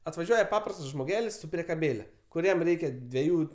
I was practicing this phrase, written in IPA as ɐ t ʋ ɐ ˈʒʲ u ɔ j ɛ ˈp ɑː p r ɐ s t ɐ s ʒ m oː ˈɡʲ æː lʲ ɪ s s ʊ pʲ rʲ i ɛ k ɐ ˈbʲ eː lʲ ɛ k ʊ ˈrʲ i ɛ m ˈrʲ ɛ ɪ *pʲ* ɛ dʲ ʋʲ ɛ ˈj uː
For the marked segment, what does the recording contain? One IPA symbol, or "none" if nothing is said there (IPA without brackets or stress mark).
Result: kʲ